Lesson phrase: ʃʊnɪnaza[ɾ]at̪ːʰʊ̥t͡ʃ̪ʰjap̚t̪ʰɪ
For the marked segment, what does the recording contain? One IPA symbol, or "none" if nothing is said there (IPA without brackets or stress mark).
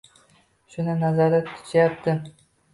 ɾ